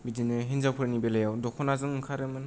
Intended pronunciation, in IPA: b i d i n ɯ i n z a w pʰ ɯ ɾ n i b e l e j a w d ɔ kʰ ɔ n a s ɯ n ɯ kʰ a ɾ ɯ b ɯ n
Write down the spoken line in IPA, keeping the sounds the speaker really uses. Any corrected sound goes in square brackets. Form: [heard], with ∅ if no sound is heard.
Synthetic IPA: b i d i n ɯ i n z a w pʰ ɯ ɾ n i b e l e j a w d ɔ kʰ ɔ n a [z] ɯ [ŋ] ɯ kʰ a ɾ ɯ [m] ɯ n